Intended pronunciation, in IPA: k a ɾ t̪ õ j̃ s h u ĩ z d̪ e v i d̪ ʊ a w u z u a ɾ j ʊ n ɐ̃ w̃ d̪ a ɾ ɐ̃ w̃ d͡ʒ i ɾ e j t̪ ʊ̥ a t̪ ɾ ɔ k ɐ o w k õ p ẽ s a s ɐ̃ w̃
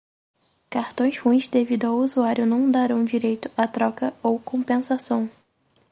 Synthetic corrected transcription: k a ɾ t̪ õ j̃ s h u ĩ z d̪ e v i d̪ ʊ a w u z u a ɾ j ʊ n ɐ̃ w̃ d̪ a ɾ ɐ̃ w̃ d͡ʒ i ɾ e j t̪ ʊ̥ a t̪ ɾ ɔ k ɐ o w k õ p ẽ s a s ɐ̃ w̃